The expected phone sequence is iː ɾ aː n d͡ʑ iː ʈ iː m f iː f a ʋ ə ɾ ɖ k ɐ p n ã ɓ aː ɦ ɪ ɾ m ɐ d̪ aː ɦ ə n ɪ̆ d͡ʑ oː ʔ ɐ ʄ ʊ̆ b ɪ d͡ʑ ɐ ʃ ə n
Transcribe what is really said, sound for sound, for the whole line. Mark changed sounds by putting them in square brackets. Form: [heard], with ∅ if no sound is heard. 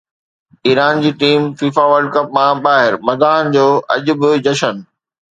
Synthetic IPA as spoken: iː ɾ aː n d͡ʑ iː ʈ iː m f iː f a ʋ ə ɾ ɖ k ɐ p [m] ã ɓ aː ɦ ɪ ɾ m ɐ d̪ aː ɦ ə n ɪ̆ d͡ʑ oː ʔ ɐ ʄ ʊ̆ b ɪ d͡ʑ ɐ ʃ ə n